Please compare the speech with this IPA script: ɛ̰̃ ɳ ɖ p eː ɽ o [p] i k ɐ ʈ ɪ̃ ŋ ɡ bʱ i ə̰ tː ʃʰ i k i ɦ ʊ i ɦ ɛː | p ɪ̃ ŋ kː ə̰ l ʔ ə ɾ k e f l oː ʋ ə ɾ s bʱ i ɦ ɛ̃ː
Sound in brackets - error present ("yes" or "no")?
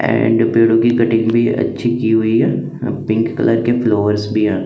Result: yes